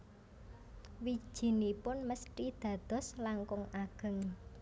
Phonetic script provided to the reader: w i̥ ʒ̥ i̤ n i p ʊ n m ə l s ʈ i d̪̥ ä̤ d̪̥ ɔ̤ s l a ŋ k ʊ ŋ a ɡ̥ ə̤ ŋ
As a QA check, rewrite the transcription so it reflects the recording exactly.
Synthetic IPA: w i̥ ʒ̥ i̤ n i p ʊ n m ə s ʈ i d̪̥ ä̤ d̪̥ ɔ̤ s l a ŋ k ʊ ŋ a ɡ̥ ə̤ ŋ